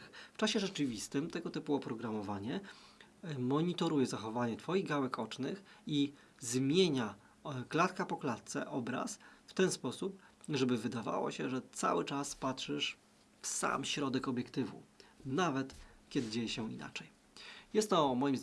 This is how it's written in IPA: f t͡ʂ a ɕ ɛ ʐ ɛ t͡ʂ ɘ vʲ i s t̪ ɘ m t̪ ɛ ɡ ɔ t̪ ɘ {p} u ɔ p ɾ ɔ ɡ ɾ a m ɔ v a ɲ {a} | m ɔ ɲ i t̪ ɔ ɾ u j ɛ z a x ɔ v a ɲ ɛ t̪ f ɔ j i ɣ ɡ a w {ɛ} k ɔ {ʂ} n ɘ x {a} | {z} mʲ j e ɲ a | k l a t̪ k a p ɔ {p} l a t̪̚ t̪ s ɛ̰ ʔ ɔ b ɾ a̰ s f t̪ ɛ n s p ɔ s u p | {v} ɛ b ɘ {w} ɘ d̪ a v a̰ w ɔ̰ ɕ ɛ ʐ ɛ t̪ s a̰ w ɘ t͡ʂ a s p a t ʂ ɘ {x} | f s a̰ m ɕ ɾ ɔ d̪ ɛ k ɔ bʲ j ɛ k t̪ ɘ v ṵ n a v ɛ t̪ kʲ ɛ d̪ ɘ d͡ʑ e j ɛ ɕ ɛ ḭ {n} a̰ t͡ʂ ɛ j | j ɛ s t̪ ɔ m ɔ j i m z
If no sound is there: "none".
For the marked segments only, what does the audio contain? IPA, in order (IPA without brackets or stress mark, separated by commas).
p, ɛ, ɛ, t͡ʂ, i, z, k, ʐ, v, ʂ, n